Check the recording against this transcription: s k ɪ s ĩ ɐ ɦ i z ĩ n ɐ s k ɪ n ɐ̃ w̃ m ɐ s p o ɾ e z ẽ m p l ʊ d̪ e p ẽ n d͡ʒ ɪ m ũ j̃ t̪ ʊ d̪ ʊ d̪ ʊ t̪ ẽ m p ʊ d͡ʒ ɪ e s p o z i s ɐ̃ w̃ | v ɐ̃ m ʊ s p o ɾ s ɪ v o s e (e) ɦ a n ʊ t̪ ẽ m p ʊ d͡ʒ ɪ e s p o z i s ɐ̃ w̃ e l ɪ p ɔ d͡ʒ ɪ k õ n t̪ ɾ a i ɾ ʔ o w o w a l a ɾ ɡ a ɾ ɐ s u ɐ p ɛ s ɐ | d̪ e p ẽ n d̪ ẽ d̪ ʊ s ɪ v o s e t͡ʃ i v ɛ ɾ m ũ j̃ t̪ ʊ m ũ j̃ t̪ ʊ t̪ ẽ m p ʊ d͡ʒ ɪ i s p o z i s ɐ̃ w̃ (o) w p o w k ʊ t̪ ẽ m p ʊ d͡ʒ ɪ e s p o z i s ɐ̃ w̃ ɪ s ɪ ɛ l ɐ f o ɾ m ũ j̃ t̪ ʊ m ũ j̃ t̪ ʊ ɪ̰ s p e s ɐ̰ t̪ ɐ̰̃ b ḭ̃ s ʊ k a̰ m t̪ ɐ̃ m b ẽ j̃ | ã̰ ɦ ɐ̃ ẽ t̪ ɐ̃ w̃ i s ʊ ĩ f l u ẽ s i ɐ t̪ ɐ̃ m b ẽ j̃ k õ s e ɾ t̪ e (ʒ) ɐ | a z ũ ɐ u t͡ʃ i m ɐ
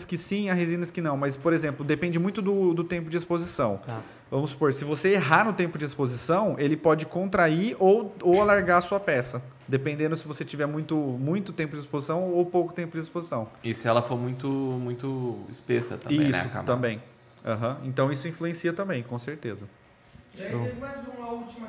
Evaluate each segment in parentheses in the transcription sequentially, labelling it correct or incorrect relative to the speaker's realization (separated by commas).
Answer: correct, correct, incorrect